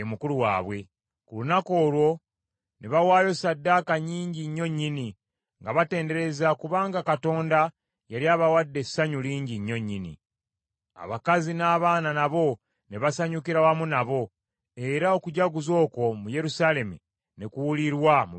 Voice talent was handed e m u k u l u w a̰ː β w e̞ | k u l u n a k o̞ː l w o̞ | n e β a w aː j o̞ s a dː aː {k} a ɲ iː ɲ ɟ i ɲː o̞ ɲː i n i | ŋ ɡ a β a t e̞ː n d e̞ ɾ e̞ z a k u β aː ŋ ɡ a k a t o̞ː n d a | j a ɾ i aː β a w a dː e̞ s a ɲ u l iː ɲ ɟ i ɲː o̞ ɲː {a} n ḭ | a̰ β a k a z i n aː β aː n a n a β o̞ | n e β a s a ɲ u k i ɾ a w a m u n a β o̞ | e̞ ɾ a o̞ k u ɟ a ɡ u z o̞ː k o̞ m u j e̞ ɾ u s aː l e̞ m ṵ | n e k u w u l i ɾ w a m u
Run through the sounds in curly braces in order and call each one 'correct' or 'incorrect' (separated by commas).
correct, incorrect